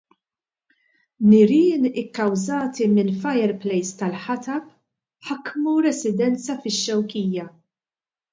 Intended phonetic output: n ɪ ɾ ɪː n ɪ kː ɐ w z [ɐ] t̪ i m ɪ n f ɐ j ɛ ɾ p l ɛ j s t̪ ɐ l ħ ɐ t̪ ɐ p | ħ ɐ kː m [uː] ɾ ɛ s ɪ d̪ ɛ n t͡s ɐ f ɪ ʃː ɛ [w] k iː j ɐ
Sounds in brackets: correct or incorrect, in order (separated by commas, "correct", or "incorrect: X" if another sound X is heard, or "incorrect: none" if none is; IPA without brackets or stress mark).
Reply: incorrect: ɐː, incorrect: u, correct